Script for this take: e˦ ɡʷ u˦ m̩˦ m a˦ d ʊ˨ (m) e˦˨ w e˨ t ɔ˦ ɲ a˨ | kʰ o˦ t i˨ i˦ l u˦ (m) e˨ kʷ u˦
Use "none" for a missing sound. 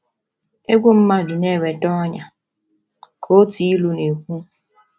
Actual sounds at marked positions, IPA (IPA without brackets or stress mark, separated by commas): n, n